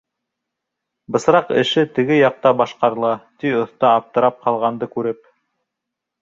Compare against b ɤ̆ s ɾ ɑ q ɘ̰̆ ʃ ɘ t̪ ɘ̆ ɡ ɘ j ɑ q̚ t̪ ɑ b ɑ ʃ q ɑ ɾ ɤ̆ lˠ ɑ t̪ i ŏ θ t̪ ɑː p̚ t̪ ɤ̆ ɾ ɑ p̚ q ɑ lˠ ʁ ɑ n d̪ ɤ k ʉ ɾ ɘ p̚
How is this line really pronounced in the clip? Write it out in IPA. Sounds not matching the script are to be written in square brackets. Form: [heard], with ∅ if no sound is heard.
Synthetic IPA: b ɤ̆ s ɾ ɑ q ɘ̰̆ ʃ ɘ t̪ ɘ̆ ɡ ɘ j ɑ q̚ t̪ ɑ b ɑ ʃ q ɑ ɾ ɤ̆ lˠ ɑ t̪ i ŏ θ t̪ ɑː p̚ t̪ ɤ̆ ɾ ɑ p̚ q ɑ lˠ ʁ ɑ n d̪ ɤ k ʉ ɾ ɘ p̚